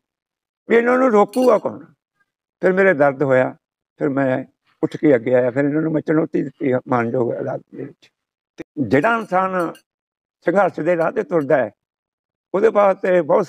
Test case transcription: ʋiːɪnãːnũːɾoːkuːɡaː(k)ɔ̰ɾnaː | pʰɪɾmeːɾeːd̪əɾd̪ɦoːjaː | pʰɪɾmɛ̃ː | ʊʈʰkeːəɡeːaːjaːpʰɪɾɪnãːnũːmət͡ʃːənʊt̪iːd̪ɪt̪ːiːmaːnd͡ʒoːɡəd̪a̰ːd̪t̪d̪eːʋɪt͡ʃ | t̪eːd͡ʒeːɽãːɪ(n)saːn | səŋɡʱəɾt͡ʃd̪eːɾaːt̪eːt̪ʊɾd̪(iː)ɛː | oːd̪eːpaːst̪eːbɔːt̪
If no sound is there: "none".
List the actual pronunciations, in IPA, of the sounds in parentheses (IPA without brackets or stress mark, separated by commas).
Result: k, n, aː